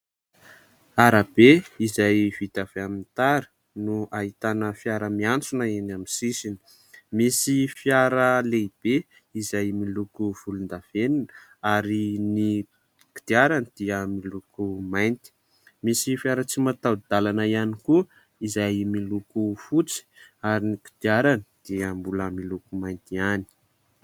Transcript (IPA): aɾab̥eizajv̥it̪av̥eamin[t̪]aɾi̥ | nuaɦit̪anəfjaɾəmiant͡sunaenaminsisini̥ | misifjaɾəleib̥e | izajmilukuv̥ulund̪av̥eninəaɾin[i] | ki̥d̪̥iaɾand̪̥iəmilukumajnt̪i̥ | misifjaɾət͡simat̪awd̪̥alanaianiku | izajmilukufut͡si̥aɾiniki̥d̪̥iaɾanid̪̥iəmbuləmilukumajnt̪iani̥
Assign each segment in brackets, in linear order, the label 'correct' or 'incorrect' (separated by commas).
correct, correct